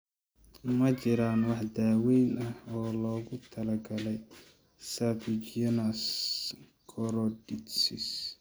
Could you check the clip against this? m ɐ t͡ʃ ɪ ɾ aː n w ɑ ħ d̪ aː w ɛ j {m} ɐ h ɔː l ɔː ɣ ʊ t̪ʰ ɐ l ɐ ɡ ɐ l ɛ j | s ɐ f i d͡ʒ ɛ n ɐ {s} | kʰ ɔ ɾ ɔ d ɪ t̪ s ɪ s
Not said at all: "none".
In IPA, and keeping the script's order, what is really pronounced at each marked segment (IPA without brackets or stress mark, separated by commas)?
n, s